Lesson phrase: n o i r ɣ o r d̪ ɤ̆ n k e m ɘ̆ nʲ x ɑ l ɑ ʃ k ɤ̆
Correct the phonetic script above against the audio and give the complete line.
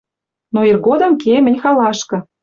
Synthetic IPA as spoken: n o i r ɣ o d̪ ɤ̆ m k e m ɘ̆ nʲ x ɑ l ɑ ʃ k ɤ̆